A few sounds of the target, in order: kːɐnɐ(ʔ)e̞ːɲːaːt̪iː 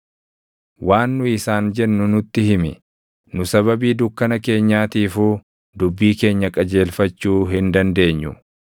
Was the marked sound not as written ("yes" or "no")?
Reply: yes